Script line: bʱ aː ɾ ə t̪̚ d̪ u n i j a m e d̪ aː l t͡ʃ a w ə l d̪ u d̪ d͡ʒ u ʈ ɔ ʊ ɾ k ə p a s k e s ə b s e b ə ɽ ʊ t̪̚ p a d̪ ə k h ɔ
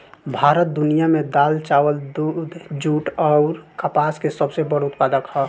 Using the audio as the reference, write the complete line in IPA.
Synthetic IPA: bʱ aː ɾ ə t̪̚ d̪ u n i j a m e d̪ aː l t͡ʃ a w ə l d̪ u d̪ d͡ʒ u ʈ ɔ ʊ ɾ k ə p a s k e s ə b s e b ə ɽ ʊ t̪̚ p a d̪ ə k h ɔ

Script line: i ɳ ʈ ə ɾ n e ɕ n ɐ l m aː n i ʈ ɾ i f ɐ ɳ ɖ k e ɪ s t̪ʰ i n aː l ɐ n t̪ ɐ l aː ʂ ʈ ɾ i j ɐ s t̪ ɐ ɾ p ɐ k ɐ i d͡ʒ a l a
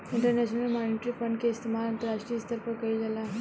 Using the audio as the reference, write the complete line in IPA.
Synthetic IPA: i ɳ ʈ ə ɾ n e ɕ n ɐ l m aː n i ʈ ɾ i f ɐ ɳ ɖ k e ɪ s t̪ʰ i m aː l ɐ n t̪ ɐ ɾ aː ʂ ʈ ɾ i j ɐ s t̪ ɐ ɾ p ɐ k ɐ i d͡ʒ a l a

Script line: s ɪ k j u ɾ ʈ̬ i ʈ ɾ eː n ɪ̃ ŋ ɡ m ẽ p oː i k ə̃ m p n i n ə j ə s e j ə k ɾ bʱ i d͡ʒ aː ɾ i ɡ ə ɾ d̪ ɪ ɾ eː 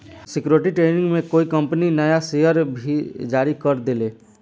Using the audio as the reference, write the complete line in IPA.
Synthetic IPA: s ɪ k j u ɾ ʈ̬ i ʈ ɾ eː n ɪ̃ ŋ ɡ m ẽ k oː i k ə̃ m p n i n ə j a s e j ə ɾ bʱ i d͡ʒ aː ɾ i k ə ɾ d̪ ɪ l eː

